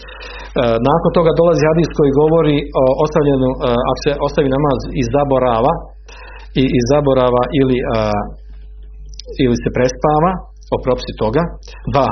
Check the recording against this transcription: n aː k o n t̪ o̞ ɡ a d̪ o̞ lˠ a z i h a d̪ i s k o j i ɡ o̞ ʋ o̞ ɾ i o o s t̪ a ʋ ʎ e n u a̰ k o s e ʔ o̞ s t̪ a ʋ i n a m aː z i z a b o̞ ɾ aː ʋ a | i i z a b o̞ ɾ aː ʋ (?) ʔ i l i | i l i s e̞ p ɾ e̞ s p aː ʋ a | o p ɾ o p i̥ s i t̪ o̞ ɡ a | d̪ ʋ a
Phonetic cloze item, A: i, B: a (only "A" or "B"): B